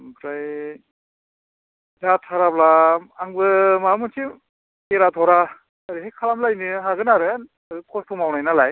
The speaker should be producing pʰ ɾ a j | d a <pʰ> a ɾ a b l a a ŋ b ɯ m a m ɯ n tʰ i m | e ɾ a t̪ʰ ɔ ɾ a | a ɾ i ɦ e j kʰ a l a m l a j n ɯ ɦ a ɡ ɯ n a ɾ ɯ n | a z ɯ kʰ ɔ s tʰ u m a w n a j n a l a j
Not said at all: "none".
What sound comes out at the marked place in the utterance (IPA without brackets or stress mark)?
tʰ